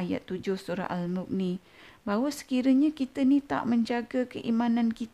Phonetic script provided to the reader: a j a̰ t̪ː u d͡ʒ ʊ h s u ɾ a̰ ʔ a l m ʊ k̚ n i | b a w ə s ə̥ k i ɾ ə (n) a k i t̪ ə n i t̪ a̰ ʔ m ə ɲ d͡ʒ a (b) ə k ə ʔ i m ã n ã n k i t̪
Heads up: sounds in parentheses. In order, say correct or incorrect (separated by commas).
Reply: incorrect, incorrect